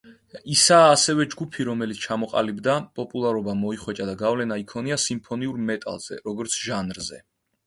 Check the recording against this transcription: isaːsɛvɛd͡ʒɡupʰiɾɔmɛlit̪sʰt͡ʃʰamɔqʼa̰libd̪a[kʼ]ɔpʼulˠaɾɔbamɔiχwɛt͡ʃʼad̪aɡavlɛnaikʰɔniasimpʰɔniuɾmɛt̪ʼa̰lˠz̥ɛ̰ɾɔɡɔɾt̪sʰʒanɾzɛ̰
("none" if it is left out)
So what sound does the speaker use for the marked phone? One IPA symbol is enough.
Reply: pʼ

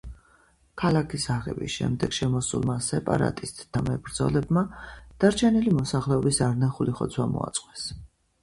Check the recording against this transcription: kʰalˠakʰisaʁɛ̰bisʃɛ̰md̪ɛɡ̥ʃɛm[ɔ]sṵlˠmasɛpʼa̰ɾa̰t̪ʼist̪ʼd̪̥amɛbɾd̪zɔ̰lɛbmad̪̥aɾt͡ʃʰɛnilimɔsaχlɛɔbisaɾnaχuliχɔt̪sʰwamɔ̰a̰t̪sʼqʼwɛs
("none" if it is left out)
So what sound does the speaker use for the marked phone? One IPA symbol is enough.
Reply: ɔ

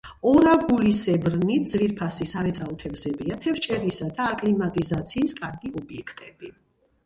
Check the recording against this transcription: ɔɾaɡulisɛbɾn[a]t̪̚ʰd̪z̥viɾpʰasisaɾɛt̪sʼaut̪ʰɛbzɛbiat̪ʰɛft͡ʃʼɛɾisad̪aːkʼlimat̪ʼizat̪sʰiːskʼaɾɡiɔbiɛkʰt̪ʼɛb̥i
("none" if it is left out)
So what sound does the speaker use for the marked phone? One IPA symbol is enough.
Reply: i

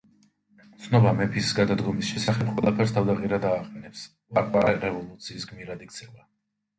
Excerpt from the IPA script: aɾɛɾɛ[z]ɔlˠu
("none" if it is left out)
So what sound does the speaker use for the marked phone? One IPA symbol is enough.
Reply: v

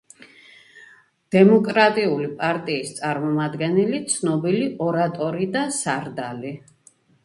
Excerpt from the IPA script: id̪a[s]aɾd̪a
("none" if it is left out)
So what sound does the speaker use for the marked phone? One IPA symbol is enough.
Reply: s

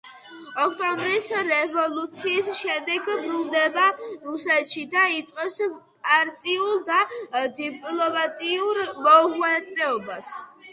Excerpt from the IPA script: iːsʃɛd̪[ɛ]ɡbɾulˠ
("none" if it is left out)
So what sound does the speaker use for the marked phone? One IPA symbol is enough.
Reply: ɛ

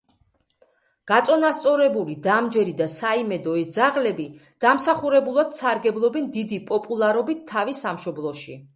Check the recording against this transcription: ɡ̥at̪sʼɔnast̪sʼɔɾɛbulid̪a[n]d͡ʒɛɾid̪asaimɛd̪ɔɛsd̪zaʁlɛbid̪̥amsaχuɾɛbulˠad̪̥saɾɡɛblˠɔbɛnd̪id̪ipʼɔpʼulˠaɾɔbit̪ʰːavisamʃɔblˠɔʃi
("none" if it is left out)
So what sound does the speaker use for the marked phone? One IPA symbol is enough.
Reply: m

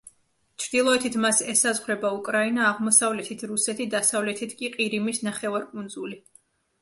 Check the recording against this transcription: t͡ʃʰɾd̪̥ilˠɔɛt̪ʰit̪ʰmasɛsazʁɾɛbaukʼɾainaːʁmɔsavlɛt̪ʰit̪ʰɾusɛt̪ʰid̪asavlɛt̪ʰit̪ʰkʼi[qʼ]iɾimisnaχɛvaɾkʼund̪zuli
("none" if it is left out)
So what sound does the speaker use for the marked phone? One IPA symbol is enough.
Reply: qʼ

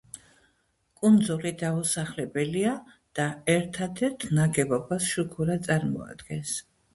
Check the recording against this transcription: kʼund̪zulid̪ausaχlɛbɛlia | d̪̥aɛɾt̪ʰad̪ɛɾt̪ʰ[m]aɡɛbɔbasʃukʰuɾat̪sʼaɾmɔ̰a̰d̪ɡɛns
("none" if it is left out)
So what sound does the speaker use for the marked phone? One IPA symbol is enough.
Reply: n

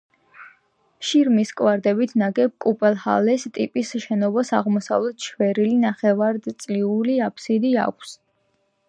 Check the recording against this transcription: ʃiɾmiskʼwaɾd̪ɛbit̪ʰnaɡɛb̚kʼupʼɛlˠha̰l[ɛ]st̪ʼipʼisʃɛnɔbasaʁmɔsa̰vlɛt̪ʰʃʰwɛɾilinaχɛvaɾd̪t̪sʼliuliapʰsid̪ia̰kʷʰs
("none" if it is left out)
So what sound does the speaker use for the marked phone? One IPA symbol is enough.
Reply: ɛ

